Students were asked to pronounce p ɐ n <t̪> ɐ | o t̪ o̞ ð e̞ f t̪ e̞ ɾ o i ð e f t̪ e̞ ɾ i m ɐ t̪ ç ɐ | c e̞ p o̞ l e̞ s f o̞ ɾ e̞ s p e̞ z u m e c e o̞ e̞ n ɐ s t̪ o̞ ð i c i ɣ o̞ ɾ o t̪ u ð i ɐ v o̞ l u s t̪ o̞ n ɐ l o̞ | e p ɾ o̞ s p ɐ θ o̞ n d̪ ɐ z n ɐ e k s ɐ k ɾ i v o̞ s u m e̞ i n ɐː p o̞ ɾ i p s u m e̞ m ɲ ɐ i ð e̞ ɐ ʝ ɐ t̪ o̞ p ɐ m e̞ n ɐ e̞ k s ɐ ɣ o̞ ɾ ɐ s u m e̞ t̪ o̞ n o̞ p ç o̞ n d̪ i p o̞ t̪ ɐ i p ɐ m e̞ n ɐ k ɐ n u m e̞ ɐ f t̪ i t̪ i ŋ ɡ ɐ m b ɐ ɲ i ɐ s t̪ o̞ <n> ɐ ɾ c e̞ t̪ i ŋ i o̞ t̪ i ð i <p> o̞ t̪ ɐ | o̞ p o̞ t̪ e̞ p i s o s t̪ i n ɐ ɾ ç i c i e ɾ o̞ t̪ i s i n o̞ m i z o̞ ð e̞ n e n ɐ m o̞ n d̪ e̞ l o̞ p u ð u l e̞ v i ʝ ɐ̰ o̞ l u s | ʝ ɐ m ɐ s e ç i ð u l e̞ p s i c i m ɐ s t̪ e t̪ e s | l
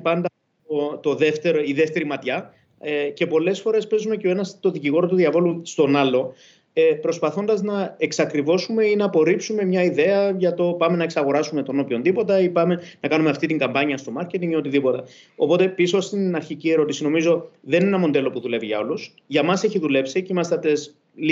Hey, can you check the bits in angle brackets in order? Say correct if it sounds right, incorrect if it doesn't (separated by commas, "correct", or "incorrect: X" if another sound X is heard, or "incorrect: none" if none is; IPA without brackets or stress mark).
incorrect: d̪, incorrect: m, correct